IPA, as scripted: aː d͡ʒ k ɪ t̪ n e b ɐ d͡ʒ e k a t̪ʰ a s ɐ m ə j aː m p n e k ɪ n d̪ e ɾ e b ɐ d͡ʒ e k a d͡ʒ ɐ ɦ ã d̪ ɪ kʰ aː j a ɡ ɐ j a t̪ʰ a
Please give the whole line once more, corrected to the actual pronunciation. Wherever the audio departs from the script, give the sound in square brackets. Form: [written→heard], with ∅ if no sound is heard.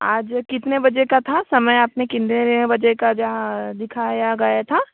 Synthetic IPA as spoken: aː d͡ʒ k ɪ t̪ n e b ɐ d͡ʒ e k a t̪ʰ a s ɐ m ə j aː [m→∅] p n e k ɪ n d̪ e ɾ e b ɐ d͡ʒ e k a d͡ʒ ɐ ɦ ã d̪ ɪ kʰ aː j a ɡ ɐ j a t̪ʰ a